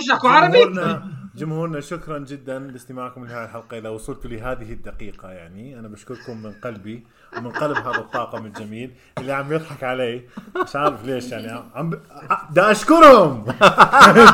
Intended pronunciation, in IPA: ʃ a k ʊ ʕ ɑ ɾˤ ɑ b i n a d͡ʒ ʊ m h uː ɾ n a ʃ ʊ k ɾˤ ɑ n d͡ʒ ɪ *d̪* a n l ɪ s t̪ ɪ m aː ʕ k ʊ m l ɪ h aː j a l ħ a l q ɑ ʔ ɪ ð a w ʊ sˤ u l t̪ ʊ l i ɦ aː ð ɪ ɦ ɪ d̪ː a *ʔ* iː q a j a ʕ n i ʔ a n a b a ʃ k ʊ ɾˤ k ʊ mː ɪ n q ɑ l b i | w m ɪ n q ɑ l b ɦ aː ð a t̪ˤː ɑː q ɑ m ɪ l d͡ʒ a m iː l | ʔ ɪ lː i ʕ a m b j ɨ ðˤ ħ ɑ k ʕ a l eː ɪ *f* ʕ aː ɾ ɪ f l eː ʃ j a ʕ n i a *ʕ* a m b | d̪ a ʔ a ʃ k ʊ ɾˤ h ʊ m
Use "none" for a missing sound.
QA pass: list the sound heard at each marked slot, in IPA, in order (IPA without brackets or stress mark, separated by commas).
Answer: d̪ː, q, ʃ, ʕ